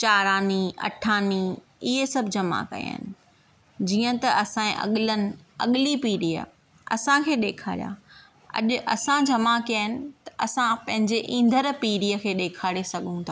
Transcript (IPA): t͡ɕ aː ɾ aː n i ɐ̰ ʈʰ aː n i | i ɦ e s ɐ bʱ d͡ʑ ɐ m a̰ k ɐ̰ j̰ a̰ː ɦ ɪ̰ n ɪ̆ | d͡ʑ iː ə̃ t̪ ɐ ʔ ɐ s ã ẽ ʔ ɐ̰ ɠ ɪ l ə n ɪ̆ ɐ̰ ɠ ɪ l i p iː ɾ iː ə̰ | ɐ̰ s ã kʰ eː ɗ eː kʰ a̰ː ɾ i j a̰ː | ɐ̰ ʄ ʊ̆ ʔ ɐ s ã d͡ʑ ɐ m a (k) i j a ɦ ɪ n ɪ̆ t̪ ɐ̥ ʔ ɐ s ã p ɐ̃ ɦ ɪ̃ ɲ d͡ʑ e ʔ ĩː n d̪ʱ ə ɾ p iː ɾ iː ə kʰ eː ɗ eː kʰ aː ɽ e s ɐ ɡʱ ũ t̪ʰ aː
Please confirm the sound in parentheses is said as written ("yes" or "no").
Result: yes